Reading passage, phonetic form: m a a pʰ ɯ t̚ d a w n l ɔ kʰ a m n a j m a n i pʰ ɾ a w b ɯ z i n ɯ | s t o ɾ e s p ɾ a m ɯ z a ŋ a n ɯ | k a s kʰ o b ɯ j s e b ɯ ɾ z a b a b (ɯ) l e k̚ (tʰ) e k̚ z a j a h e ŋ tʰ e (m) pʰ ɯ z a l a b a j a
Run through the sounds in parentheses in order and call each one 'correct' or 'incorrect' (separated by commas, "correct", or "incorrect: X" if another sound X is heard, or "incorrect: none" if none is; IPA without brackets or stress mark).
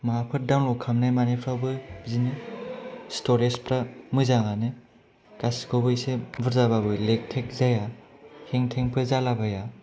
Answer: correct, correct, incorrect: ŋ